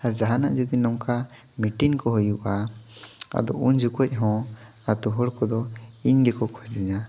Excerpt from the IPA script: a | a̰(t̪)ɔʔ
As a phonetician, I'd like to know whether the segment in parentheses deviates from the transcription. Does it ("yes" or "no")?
yes